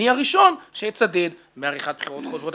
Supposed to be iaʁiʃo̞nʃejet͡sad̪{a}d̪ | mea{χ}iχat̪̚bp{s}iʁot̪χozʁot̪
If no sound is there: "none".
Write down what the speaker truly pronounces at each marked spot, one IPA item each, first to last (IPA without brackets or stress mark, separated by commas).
e, ʁ, χ